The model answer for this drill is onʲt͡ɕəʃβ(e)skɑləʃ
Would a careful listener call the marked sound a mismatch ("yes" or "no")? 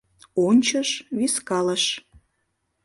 yes